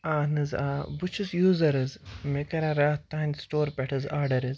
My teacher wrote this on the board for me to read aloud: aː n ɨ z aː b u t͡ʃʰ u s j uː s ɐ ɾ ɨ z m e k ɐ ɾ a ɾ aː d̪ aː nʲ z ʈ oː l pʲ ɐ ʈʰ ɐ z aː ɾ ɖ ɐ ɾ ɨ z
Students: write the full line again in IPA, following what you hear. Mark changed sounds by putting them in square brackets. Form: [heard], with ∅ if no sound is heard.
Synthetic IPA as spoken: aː n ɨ z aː b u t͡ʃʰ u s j uː [z] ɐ ɾ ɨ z m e k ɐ ɾ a ɾ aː [t̪] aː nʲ [s] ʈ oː [ɾ] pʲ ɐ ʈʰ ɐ z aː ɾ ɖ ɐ ɾ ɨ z